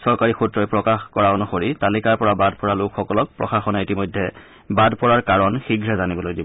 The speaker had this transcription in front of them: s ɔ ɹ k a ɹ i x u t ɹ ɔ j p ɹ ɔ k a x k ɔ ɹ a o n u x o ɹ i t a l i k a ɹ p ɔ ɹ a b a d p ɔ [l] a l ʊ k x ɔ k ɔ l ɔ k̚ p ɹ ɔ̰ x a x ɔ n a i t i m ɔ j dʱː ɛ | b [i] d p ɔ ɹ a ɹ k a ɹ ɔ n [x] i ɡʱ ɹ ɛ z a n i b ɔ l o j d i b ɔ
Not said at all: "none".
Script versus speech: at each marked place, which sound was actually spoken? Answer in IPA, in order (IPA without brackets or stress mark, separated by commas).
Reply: ɹ, a, x